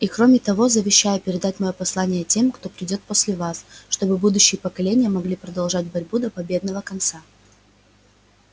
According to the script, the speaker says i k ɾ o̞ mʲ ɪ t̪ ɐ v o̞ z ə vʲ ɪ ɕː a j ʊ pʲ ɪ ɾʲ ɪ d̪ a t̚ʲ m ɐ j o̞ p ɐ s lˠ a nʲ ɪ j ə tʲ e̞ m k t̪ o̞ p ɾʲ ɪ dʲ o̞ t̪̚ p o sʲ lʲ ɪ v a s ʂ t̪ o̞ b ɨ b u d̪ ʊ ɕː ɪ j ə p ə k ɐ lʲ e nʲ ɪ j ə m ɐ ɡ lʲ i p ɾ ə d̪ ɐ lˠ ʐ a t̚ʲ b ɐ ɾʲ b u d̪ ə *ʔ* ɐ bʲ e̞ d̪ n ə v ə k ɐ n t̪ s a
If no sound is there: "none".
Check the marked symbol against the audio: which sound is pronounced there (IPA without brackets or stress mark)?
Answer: p